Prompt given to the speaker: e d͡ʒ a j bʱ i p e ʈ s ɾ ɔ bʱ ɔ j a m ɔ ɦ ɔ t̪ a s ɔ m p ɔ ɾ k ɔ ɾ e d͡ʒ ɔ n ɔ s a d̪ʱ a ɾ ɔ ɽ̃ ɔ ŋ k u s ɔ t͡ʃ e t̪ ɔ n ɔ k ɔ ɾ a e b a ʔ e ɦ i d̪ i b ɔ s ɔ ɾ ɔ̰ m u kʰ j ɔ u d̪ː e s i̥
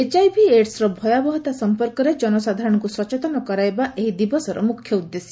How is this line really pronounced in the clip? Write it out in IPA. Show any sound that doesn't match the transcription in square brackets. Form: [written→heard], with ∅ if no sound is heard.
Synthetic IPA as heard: e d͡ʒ a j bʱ i [p→∅] e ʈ s ɾ ɔ bʱ ɔ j a [m→b] ɔ ɦ ɔ t̪ a s ɔ m p ɔ ɾ k ɔ ɾ e d͡ʒ ɔ n ɔ s a d̪ʱ a ɾ ɔ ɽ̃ ɔ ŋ k u s ɔ t͡ʃ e t̪ ɔ n ɔ k ɔ ɾ a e b a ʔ e ɦ i d̪ i b ɔ s ɔ ɾ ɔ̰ m u kʰ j ɔ u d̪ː e s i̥